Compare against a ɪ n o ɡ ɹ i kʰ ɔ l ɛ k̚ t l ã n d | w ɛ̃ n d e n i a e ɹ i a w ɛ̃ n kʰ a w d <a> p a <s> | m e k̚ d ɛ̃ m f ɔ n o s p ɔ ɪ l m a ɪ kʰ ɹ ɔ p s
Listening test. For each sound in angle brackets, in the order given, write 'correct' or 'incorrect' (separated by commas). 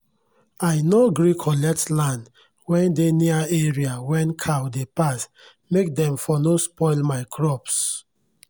incorrect, correct